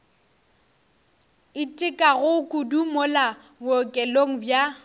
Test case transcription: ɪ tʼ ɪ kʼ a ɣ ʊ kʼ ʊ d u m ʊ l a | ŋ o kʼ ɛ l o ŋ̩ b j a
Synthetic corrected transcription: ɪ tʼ ɪ kʼ a ɣ ʊ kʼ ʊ d u m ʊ l a | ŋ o kʼ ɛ l o ŋ̩ b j a

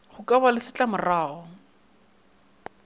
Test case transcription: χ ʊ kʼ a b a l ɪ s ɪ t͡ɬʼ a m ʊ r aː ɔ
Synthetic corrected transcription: χ ʊ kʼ a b a l ɪ s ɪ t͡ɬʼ a m ʊ r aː ɔ

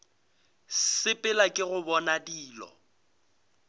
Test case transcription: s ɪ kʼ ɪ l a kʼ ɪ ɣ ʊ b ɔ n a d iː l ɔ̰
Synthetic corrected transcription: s ɪ pʼ ɪ l a kʼ ɪ ɣ ʊ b ɔ n a d iː l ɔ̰

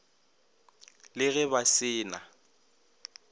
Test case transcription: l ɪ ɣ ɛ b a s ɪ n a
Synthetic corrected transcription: l ɪ ɣ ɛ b a s ɪː n a

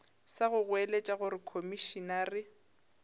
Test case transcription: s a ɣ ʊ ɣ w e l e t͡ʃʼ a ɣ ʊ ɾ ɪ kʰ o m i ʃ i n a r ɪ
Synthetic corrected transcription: s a ɣ ʊ ɣ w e l e t͡ʃʼ a ɣ ʊ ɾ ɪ kʰ o m i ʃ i n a r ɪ

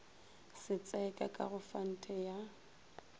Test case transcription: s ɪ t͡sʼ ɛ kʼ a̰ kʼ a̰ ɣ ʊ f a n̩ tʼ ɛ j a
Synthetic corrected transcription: s ɪ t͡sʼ ɛ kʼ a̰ kʼ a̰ ɣ ʊ f a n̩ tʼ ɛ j a

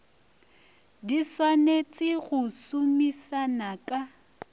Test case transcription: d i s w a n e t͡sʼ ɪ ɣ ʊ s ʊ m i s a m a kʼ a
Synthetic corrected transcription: d i s w a n e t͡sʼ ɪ ɣ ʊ s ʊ m i s a n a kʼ a

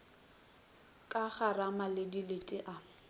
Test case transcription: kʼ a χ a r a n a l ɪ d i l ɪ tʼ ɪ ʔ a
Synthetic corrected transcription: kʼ a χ a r a m a l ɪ d i l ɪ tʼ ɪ ʔ a

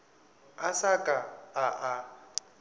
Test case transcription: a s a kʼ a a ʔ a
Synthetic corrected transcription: a s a kʼ a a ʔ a

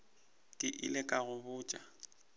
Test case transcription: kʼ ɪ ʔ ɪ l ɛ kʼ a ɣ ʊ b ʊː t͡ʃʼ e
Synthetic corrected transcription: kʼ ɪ ʔ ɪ l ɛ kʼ a ɣ ʊ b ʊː t͡ʃʼ a

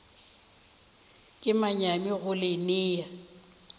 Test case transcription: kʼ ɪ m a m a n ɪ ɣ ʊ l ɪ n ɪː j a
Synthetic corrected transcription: kʼ ɪ m a ɲ a m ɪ ɣ ʊ l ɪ n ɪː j a

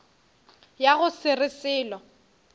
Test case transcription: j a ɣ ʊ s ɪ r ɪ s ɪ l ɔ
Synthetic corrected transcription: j a ɣ ʊ s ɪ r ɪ s ɪː l ɔ

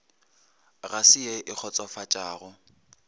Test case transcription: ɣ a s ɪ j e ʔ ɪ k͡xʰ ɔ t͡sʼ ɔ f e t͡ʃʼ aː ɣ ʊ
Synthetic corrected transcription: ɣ a s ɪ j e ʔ ɪ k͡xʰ ɔ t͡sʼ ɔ f a t͡ʃʼ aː ɣ ʊ

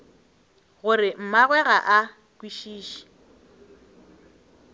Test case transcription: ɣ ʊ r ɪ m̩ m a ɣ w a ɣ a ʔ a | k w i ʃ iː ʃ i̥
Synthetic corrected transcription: ɣ ʊ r ɪ m̩ m a ɣ w ɛ ɣ a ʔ a | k w i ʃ iː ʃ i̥

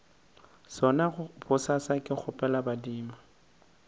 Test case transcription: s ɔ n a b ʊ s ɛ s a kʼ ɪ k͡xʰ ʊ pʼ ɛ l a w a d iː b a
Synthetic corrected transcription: s ɔ n a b ʊ s a s a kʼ ɪ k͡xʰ ʊ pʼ ɛ l a b a d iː m a

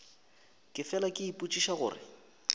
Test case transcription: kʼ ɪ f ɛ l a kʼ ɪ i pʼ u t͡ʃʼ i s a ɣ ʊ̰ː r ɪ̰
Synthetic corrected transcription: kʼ ɪ f ɛ l a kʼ ɪ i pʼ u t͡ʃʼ i ʃ a ɣ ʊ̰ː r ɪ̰

